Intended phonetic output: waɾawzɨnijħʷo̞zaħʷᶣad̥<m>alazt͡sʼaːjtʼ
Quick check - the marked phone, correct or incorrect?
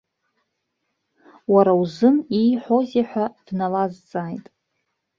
incorrect